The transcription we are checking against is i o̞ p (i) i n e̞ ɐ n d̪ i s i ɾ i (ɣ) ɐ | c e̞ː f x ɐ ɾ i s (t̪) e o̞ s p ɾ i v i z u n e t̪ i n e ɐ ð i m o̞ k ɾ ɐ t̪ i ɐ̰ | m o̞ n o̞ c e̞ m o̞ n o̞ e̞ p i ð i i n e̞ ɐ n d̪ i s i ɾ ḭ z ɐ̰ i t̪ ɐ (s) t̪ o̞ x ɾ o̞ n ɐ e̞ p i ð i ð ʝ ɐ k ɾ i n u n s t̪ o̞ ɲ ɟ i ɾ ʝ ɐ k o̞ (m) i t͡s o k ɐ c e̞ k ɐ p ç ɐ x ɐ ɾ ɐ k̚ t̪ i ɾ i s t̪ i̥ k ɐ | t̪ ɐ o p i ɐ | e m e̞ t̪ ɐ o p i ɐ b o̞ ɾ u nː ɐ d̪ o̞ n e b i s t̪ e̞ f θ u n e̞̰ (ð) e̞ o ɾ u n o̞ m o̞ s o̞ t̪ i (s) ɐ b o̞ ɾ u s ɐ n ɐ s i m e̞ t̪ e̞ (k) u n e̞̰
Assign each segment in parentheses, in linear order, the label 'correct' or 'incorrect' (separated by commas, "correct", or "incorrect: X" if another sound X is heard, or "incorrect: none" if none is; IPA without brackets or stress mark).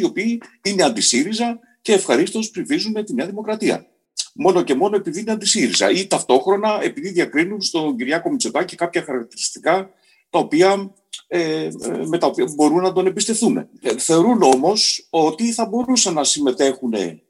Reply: incorrect: iː, incorrect: z, correct, incorrect: f, correct, incorrect: θ, incorrect: θ, incorrect: x